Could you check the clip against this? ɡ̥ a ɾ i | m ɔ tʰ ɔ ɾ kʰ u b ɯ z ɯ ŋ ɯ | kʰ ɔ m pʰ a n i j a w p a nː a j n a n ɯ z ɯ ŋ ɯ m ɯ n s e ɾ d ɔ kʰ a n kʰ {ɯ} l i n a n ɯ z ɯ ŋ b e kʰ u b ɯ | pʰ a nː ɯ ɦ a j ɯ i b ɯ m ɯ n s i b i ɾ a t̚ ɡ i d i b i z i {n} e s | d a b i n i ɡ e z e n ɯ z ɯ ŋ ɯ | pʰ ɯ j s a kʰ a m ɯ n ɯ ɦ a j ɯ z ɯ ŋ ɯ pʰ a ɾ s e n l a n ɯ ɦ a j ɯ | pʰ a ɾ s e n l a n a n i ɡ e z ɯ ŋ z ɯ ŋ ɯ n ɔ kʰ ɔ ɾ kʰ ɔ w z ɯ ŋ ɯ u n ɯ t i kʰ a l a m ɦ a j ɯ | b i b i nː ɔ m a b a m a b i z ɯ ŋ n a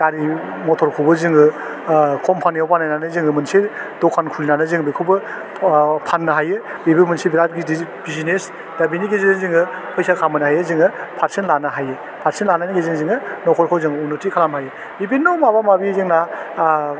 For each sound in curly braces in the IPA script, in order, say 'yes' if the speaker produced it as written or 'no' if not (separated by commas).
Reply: no, yes